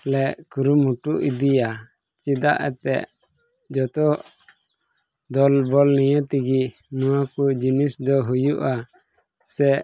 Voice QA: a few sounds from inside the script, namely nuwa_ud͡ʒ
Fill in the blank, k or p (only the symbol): k